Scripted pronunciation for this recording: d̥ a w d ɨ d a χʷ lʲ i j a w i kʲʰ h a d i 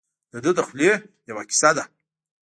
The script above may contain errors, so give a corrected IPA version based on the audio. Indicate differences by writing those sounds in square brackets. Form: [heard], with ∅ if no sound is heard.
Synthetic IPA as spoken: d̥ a [∅] d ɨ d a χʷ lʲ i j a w [a] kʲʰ [s] a d [a]

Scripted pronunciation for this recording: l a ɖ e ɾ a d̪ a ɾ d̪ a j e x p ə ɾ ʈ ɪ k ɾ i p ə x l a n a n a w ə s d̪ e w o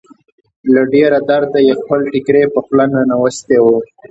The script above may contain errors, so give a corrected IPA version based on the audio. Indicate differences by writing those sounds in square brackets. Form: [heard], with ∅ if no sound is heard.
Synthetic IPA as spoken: l a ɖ e ɾ a d̪ a ɾ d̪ a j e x p ə [l] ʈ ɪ k ɾ [e] p ə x l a n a n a w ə s [t̪] e w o

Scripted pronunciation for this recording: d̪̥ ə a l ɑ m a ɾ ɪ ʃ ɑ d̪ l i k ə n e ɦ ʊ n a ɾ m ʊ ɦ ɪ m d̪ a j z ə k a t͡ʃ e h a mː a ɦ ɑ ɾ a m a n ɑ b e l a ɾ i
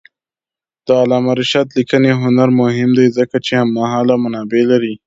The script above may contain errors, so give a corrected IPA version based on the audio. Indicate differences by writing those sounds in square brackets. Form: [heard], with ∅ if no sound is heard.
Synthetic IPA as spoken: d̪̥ ə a l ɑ m a ɾ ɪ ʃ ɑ d̪ l i k ə n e ɦ ʊ n a ɾ m ʊ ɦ ɪ m d̪ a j z ə k a t͡ʃ e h a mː a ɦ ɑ [l] a m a n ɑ b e l a ɾ i

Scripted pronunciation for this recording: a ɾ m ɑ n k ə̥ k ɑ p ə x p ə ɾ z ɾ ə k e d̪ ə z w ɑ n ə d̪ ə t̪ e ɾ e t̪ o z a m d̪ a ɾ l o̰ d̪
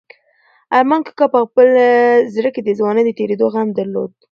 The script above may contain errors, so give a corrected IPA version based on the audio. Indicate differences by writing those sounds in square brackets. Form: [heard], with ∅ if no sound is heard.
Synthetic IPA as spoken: a ɾ m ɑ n k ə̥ k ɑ p ə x p ə [l] z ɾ ə k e d̪ ə z w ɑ n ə d̪ ə t̪ e ɾ e [d̪] o [ɣ] a m d̪ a ɾ l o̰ d̪

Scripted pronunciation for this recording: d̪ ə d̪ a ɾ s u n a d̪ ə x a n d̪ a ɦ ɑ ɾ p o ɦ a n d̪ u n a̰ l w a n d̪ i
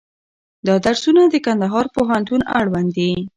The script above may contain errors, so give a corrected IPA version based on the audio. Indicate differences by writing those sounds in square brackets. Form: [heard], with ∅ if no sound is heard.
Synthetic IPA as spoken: d̪ [ɑ] d̪ a ɾ s u n a d̪ ə [k] a n d̪ a ɦ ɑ ɾ p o ɦ a n [t̪] u n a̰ [ɽ] w a n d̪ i

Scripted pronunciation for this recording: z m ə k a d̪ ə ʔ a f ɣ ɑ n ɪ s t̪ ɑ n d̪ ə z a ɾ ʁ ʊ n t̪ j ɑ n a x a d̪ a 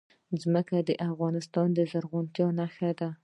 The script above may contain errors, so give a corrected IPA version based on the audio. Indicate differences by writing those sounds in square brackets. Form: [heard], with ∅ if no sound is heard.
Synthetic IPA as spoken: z m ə k a d̪ ə ʔ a f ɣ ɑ n ɪ s t̪ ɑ n d̪ ə z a ɾ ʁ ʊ n t̪ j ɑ n a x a d̪ a

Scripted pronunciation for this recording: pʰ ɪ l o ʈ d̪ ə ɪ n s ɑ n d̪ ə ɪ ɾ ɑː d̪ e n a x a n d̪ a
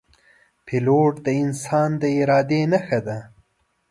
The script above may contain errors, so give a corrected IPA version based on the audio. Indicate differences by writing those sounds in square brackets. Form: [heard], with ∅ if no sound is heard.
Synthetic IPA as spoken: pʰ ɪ l o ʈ d̪ ə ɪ n s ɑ n d̪ ə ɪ ɾ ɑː d̪ e n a x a [∅] d̪ a

